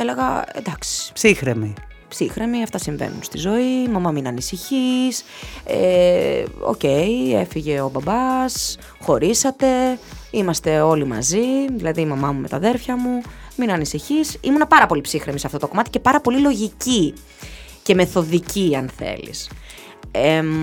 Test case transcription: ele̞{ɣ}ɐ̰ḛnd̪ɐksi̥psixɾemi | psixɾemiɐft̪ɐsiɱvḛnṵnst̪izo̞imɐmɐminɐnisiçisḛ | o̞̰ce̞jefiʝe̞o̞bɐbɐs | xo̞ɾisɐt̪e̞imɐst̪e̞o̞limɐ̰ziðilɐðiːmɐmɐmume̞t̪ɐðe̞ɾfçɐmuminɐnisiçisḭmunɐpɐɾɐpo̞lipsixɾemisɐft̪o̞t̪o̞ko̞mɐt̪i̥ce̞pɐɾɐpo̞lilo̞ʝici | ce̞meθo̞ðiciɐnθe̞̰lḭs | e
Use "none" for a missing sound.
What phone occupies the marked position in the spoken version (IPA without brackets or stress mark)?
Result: ɣ